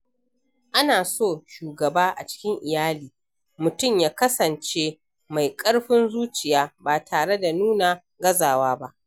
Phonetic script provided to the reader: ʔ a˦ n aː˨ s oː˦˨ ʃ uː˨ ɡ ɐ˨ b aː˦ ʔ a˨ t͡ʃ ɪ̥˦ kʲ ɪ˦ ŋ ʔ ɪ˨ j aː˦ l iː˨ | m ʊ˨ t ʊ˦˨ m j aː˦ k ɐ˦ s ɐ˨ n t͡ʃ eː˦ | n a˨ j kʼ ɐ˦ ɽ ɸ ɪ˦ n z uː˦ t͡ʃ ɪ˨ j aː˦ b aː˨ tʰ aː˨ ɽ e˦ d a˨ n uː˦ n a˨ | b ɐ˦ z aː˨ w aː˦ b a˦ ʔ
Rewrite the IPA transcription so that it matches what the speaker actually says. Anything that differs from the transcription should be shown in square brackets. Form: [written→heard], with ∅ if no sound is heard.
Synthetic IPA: ʔ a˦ n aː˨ s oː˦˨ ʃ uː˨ ɡ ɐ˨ b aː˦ ʔ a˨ t͡ʃ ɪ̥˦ kʲ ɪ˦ ŋ ʔ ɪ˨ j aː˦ l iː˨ | m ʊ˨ t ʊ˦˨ m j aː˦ k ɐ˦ s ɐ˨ n t͡ʃ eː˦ | [n→m] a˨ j kʼ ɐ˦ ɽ ɸ ɪ˦ n z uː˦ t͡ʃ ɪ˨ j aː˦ b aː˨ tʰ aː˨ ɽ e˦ d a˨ n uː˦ n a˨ | [b→ɡ] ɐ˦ z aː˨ w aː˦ b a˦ ʔ